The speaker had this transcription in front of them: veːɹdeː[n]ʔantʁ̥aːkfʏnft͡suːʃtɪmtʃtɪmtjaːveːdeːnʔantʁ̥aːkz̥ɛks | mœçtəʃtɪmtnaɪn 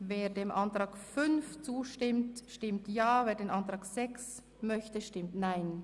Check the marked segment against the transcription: incorrect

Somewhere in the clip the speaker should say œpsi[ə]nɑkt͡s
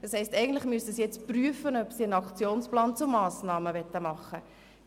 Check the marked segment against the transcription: correct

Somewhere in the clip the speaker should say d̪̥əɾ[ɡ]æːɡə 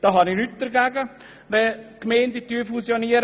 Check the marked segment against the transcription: correct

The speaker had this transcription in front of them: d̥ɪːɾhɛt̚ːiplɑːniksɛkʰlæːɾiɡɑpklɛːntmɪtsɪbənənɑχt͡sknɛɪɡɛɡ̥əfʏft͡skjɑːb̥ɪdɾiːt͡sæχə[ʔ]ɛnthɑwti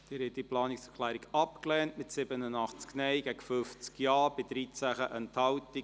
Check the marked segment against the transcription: correct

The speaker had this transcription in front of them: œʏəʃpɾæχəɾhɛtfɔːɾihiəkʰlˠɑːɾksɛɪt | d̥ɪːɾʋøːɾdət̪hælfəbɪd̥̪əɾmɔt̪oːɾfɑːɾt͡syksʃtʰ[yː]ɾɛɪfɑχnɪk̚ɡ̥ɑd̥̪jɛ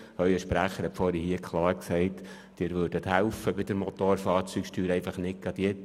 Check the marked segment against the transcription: correct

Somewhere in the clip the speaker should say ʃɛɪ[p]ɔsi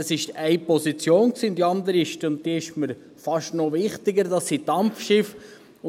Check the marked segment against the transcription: correct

